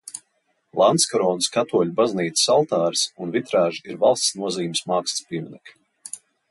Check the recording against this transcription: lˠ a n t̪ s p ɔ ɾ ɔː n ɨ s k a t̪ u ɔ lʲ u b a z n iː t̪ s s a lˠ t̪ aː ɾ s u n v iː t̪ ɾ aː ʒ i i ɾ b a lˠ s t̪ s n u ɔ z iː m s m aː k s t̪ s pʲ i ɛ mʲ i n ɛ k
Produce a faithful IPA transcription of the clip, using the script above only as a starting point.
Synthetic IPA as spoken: lˠ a n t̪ s k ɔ ɾ ɔː n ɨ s k a t̪ u ɔ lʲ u b a z n iː t̪ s s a lˠ t̪ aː ɾ s u n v i t̪ ɾ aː ʒ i i ɾ v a lˠ s t̪ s n u ɔ z iː m s m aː k s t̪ s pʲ i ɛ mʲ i n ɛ k